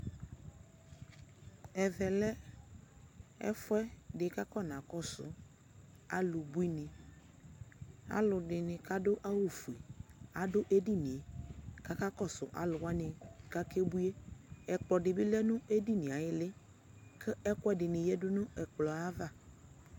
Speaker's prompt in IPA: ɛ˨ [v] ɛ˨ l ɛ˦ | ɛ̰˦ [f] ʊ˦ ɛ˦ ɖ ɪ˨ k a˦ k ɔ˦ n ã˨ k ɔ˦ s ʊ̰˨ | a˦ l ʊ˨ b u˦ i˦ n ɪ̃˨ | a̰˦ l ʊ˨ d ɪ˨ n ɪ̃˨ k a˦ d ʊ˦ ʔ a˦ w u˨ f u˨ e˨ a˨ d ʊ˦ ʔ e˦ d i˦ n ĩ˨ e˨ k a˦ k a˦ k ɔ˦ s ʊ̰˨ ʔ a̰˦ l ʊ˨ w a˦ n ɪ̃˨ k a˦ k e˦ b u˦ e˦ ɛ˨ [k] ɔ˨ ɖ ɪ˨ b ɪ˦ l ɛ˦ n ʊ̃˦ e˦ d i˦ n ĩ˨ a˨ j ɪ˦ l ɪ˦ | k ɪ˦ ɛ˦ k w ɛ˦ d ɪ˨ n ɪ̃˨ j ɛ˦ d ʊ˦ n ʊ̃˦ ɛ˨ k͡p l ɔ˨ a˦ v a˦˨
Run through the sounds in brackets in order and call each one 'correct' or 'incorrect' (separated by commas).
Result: correct, correct, incorrect